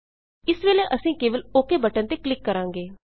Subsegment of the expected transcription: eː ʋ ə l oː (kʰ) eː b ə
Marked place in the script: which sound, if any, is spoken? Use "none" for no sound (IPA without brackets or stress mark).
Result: k